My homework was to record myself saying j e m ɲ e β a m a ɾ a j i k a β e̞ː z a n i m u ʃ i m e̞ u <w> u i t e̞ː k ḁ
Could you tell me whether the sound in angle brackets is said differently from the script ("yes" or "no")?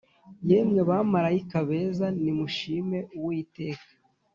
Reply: no